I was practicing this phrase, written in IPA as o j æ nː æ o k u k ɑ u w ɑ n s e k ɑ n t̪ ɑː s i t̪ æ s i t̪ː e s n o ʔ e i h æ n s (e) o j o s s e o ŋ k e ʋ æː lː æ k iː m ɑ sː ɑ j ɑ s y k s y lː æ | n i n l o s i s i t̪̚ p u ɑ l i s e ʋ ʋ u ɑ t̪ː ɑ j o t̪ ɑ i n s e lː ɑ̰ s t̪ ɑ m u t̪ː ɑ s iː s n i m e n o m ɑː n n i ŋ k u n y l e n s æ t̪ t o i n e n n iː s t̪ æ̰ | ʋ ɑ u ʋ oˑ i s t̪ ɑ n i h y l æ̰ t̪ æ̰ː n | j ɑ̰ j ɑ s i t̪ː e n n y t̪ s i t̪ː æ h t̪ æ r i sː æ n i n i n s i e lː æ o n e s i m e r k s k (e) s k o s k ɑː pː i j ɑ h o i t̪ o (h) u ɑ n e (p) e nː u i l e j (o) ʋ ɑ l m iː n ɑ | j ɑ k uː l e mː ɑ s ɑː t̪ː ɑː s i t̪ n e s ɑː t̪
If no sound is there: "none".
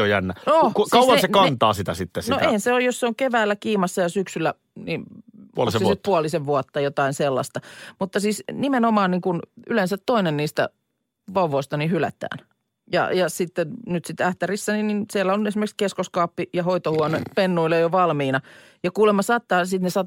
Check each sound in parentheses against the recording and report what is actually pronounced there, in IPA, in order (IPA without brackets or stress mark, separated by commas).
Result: e, e, h, p, o